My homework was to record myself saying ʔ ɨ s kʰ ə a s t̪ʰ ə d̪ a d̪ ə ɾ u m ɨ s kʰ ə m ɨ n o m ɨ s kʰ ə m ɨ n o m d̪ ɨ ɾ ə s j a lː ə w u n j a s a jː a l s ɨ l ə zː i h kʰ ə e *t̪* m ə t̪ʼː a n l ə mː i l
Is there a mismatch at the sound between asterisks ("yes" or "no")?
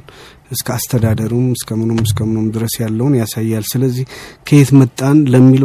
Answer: no